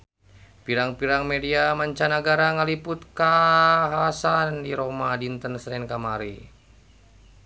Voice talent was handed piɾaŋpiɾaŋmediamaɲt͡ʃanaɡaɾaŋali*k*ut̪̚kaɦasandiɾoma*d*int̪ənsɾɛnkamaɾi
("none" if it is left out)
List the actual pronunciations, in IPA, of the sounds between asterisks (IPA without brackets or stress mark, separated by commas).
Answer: p, d